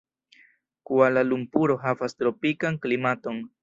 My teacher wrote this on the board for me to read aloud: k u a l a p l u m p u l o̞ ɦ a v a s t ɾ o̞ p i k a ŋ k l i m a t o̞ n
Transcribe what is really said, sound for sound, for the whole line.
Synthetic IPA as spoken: k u a l a l u m p u ɾ o̞ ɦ a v a s t ɾ o̞ p i k a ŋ k l i m a t o̞ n